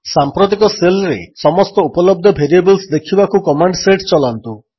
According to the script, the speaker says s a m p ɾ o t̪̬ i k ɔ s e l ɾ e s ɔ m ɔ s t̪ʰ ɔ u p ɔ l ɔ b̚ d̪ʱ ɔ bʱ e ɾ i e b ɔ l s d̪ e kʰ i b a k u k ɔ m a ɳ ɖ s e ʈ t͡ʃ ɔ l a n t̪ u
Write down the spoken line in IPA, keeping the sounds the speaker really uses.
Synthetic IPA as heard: s a m p ɾ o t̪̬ i k ɔ s e l ɾ e s ɔ m ɔ s t̪ ɔ u p ɔ l ɔ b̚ d̪ʱ ɔ bʱ e ɾ i e b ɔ l s d̪ e kʰ i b a k u k ɔ m a ɳ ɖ s e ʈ t͡ʃ ɔ l a n t̪ u